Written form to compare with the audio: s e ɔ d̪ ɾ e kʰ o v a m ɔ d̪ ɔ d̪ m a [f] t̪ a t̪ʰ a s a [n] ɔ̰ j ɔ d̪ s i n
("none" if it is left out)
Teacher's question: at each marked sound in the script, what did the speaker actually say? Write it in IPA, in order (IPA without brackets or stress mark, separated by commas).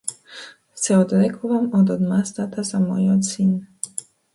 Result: s, m